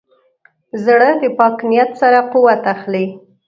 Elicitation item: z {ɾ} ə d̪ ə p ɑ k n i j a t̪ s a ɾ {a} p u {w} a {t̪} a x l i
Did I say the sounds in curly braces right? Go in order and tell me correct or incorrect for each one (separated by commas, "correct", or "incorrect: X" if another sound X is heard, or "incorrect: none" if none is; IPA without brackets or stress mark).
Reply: incorrect: ɽ, correct, correct, correct